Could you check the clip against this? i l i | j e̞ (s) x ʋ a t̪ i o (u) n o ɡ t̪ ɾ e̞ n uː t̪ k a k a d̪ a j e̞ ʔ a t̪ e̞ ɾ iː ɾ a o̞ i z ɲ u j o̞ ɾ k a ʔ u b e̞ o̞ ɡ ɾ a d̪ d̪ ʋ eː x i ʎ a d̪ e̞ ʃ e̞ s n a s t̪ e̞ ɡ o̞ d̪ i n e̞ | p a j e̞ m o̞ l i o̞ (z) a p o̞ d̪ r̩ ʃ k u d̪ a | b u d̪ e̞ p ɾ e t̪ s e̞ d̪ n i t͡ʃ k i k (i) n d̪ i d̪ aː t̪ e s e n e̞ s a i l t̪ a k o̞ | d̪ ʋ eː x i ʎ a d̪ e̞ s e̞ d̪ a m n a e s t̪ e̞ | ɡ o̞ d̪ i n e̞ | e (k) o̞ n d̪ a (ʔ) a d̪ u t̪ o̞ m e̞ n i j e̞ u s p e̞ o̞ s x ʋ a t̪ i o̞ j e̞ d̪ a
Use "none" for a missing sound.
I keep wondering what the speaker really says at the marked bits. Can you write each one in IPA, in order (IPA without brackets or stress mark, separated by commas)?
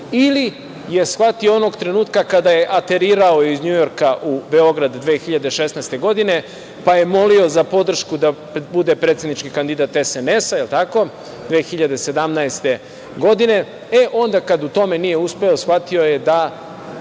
s, o, z, a, ʔ, k